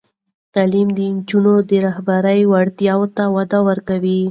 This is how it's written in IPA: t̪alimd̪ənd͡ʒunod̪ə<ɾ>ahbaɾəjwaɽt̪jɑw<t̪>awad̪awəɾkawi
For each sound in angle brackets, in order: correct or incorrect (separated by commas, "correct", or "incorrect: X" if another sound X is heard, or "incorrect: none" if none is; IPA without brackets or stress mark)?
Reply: correct, correct